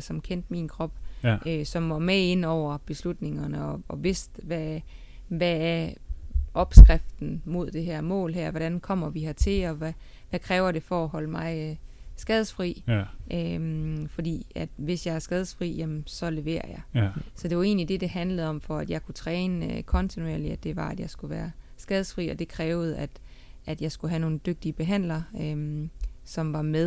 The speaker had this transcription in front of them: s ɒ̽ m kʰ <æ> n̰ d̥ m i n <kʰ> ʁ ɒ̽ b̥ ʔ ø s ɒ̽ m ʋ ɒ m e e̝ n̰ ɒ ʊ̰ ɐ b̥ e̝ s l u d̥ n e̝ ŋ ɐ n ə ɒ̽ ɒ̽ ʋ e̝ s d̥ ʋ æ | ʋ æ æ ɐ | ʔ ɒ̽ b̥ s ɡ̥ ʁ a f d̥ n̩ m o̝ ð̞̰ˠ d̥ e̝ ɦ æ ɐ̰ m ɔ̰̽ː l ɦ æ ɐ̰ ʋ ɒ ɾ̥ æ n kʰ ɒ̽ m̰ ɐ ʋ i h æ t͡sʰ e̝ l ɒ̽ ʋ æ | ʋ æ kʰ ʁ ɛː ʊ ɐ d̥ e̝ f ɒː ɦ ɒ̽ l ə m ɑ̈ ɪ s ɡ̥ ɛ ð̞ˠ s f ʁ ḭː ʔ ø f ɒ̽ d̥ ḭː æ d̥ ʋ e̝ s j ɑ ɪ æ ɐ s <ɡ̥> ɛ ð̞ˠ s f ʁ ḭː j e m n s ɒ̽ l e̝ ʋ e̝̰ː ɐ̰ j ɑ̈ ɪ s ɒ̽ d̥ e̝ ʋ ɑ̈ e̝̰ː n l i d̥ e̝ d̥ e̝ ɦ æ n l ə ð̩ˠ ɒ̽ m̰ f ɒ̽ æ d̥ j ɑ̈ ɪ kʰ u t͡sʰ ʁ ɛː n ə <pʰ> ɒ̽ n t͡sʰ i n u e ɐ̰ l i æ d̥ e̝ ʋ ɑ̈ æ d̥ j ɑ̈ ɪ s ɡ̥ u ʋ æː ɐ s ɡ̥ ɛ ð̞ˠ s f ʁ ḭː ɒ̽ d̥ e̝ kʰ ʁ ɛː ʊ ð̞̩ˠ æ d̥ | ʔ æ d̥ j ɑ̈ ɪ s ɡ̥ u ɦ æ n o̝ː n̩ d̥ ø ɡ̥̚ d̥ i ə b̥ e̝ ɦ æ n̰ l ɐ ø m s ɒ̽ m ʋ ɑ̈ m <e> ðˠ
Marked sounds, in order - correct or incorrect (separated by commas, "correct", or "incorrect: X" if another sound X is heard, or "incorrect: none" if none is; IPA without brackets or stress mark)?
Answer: incorrect: e, correct, correct, incorrect: kʰ, correct